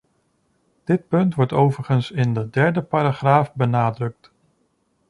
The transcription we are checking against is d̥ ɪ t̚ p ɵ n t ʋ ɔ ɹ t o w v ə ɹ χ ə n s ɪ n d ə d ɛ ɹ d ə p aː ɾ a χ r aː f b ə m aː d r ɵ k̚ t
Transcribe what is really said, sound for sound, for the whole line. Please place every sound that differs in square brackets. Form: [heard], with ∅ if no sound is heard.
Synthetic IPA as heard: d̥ ɪ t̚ p ɵ n t ʋ ɔ ɹ t o w v ə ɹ χ ə n s ɪ n d ə d ɛ ɹ d ə p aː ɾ a χ r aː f b ə [n] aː d r ɵ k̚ t